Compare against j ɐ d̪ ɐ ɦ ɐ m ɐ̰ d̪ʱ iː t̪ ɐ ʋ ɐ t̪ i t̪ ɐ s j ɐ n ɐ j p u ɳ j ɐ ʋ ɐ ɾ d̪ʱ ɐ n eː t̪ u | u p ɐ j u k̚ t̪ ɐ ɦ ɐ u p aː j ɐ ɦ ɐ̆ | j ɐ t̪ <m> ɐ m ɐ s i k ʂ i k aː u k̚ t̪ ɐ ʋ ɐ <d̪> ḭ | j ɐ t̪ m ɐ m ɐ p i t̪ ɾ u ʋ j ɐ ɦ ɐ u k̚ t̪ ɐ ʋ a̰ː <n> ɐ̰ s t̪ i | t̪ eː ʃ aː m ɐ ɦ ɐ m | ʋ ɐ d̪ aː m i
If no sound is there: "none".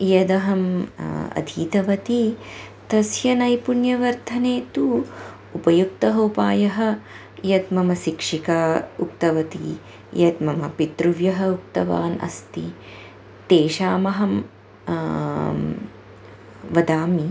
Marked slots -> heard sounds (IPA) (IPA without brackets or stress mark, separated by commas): m, t̪, n